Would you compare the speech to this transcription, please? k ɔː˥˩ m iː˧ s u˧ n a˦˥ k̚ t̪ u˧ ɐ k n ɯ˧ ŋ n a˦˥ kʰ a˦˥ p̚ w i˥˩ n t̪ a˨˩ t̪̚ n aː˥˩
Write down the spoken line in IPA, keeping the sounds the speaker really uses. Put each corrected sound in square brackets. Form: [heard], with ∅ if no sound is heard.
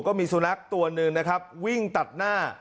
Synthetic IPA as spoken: k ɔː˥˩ m iː˧ s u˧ n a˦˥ k̚ t̪ u˧ ɐ [∅] n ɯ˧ ŋ n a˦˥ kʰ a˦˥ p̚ w i˥˩ [ŋ] t̪ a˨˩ t̪̚ n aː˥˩